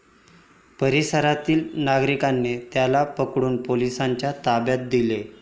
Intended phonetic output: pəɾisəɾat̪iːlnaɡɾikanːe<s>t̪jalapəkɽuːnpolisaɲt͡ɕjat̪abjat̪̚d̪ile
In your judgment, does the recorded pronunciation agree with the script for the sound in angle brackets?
no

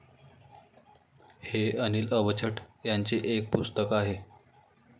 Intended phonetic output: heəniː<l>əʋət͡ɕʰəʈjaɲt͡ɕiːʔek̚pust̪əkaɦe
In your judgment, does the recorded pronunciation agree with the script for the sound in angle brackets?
yes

